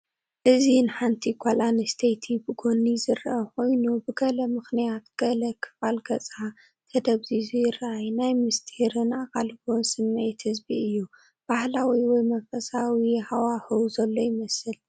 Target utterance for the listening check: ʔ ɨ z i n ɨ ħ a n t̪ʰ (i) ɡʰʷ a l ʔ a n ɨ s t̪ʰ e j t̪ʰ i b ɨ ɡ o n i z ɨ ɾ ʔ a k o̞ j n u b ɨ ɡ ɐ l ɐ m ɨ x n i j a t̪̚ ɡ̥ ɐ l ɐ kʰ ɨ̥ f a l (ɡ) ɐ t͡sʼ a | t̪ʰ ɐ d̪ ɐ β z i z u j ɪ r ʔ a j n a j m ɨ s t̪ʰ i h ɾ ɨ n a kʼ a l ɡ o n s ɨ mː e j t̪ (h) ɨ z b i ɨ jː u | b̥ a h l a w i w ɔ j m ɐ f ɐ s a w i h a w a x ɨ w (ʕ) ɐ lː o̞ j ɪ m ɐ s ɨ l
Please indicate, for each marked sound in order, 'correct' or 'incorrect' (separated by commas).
correct, correct, correct, incorrect